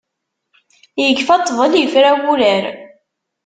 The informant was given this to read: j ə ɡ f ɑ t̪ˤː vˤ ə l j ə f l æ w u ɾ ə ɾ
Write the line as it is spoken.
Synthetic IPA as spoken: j ə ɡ f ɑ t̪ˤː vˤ ə l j ə f ɾ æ w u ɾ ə ɾ